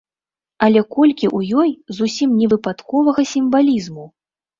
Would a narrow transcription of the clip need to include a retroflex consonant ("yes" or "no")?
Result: no